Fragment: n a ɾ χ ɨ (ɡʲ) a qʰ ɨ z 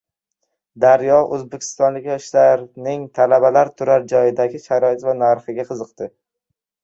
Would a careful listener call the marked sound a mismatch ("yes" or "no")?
no